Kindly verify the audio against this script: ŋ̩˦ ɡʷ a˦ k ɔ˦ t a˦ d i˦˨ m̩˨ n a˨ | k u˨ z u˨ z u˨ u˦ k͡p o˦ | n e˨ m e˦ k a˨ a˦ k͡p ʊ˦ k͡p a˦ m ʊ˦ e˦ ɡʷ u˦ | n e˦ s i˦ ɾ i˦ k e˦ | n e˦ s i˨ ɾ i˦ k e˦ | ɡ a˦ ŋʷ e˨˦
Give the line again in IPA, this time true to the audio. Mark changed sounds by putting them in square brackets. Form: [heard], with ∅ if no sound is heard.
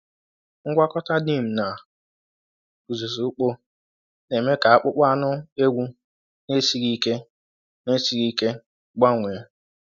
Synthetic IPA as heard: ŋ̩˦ ɡʷ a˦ k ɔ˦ t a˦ d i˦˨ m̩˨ n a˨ | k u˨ z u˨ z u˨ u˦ k͡p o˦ | n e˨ m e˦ k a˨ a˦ k͡p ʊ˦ k͡p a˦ [n] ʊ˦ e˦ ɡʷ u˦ | n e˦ s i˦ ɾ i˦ k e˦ | n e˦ s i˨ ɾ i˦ k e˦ | [ɡ͡b] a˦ ŋʷ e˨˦